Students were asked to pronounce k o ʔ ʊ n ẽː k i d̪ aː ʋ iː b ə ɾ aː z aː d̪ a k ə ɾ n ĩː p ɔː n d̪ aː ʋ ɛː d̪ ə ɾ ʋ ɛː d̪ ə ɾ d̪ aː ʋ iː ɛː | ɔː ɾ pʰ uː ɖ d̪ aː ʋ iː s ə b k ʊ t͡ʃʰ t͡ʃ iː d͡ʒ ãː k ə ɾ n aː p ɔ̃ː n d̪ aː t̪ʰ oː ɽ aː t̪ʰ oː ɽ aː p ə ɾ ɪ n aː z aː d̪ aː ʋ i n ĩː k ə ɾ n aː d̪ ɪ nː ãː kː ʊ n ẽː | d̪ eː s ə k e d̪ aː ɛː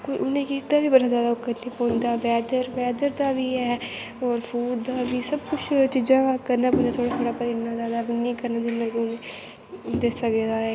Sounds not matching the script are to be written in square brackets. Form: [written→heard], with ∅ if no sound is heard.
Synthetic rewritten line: k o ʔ ʊ n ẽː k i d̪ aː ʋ iː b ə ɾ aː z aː d̪ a k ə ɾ n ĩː p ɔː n d̪ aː ʋ ɛː d̪ ə ɾ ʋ ɛː d̪ ə ɾ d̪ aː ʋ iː ɛː | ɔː ɾ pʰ uː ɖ d̪ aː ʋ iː s ə b k ʊ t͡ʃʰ t͡ʃ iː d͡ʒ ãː k ə ɾ n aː p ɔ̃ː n d̪ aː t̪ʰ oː ɽ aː t̪ʰ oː ɽ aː p ə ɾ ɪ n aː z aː d̪ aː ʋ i n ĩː k ə ɾ n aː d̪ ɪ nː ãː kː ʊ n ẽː | d̪ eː s ə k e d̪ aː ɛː